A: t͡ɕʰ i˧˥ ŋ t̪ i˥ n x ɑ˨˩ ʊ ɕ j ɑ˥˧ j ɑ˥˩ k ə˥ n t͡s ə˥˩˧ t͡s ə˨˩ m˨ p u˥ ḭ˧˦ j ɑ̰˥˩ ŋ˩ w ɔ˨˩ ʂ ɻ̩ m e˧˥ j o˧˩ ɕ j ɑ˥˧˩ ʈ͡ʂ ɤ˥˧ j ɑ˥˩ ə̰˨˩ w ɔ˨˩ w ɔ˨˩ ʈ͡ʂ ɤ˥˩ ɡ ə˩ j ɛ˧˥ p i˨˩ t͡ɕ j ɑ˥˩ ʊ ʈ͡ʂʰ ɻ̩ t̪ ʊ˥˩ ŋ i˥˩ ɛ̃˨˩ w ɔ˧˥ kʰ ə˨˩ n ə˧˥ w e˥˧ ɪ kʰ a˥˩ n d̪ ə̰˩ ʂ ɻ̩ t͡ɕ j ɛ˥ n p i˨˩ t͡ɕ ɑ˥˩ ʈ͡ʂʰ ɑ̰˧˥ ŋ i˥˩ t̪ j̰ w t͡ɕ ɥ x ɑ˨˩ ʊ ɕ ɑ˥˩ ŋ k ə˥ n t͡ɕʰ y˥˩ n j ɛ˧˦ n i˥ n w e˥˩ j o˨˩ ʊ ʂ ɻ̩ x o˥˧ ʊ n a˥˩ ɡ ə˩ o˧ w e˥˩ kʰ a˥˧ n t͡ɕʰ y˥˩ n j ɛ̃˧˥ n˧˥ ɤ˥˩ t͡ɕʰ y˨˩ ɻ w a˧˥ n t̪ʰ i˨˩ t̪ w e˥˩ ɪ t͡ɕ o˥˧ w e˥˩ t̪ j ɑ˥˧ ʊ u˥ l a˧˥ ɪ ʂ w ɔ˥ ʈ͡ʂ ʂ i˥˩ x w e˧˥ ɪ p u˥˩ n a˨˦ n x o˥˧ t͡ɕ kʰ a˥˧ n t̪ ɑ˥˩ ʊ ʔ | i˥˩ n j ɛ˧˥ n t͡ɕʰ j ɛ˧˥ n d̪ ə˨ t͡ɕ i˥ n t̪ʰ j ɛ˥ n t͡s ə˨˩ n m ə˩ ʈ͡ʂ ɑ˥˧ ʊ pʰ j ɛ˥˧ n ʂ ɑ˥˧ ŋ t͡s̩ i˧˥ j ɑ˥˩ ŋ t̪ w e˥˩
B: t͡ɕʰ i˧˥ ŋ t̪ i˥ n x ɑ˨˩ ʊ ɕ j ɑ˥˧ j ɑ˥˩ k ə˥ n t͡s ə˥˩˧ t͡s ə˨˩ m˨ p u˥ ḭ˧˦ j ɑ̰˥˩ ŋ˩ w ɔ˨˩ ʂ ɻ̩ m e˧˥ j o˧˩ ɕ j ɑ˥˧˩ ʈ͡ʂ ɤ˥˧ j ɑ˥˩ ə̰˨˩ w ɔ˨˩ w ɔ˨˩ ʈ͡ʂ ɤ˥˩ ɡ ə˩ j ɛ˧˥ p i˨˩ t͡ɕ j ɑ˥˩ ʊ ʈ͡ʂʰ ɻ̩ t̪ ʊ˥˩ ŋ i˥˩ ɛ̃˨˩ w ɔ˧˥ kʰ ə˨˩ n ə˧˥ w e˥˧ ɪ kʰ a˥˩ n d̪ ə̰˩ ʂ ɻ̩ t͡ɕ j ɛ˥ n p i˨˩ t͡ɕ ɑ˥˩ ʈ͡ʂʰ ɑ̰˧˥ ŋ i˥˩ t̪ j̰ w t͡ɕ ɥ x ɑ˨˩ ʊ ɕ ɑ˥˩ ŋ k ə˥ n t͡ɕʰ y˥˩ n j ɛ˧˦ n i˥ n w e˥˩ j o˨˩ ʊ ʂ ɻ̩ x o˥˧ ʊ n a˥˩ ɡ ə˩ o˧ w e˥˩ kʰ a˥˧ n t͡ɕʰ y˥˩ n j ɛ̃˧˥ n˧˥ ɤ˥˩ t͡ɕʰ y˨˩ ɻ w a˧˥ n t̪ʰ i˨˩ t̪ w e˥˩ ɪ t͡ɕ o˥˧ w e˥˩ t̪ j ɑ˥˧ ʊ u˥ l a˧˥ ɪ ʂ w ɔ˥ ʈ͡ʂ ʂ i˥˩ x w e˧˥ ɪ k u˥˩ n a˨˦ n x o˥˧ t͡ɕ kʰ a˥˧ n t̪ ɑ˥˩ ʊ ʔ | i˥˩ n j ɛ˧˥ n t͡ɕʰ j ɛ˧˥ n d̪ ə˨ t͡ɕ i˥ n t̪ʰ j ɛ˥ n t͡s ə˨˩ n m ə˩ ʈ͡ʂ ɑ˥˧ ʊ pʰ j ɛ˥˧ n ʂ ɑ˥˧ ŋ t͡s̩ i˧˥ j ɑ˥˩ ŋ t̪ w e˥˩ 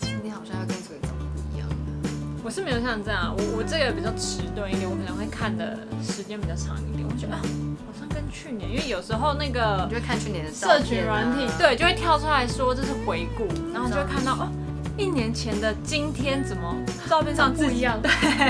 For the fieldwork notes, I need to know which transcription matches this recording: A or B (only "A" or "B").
B